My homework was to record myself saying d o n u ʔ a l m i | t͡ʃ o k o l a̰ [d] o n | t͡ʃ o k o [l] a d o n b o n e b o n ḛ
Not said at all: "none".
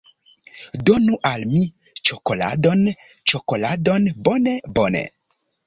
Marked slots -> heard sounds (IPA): d, l

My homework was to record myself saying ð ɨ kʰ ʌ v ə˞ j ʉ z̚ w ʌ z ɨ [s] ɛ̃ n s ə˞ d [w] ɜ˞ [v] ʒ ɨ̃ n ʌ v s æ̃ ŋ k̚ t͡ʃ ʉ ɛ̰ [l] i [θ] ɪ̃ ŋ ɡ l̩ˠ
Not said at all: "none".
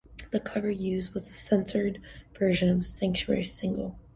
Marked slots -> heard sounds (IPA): s, v, none, ɹ, s

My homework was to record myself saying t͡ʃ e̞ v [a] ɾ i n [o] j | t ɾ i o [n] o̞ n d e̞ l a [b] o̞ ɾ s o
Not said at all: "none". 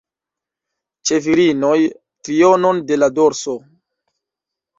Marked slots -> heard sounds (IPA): i, o, n, d

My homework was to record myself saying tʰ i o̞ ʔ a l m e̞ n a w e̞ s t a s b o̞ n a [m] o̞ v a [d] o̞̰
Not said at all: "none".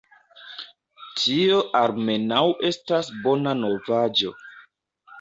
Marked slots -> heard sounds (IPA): n, d͡ʒ

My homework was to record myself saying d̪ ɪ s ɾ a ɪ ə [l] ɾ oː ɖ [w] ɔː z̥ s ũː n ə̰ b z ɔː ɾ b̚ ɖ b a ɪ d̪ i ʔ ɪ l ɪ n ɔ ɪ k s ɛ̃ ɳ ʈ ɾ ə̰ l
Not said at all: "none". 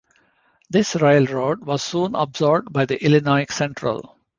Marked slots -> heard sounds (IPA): l, ʋ

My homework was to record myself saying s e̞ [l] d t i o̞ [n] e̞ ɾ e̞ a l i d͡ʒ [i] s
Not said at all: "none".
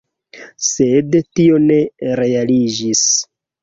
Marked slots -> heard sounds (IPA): none, n, i

